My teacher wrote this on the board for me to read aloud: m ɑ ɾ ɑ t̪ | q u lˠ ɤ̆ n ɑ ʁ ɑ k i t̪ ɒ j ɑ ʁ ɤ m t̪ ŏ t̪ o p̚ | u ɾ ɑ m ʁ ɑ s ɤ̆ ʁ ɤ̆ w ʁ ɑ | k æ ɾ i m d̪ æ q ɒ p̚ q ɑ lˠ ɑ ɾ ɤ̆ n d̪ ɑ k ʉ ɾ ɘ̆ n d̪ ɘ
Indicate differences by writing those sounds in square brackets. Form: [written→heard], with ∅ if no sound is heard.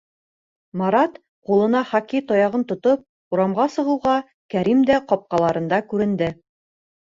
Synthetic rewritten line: m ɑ ɾ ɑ t̪ | q u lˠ ɤ̆ n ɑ [ʁ→χ] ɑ k i t̪ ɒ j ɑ ʁ ɤ [m→n] t̪ ŏ t̪ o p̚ | u ɾ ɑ m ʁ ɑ s ɤ̆ ʁ ɤ̆ w ʁ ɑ | k æ ɾ i m d̪ æ q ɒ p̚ q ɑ lˠ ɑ ɾ ɤ̆ n d̪ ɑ k ʉ ɾ ɘ̆ n d̪ ɘ